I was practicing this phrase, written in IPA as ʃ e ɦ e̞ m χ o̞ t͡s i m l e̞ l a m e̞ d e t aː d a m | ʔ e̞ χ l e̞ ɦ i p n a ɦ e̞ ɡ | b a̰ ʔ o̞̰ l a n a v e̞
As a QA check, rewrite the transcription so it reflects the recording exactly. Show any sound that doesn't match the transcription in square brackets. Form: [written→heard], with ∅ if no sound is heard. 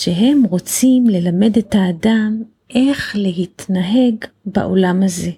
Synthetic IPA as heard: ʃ e ɦ e̞ m [χ→ʁ] o̞ t͡s i m l e̞ l a m e̞ d e t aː d a m | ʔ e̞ χ l e̞ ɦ i [p→t] n a ɦ e̞ ɡ | b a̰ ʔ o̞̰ l a [n→m] a [v→z] e̞